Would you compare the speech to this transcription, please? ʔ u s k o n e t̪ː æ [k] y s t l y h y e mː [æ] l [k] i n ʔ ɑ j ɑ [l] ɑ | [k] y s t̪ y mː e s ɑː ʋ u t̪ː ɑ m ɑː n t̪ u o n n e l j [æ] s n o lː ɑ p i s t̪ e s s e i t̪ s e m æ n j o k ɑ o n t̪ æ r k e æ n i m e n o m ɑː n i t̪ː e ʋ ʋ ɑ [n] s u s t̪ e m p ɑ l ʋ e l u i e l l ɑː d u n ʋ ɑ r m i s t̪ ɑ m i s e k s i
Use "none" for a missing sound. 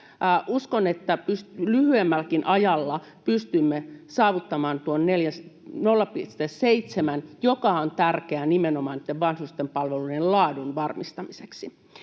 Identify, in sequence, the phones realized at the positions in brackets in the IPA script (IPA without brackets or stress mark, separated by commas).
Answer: p, æ, k, lː, p, æ, n